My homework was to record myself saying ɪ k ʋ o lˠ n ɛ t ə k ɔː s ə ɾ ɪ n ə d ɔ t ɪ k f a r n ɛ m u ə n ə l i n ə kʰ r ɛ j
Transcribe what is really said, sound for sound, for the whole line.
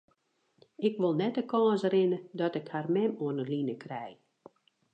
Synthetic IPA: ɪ k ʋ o lˠ n ɛ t ə k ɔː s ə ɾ ɪ n ə d ɔ t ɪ k h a r m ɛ m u ə n ə l i n ə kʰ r ɛ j